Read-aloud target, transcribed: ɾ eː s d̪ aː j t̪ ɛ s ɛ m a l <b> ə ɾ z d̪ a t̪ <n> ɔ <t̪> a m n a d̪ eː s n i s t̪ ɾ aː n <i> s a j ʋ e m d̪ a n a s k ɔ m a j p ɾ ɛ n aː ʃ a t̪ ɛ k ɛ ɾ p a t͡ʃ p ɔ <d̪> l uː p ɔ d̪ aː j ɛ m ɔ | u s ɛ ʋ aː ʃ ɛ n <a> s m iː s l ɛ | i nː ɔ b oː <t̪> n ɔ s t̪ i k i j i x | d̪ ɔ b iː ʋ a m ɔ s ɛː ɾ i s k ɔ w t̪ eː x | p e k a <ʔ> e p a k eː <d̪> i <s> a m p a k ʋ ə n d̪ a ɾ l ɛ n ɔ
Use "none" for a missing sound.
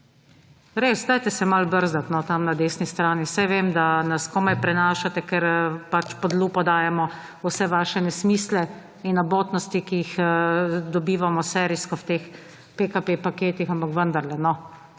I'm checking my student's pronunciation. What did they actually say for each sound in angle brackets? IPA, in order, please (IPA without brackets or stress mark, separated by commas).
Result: b, n, t̪, i, d̪, ɛ, t̪, p, t̪, x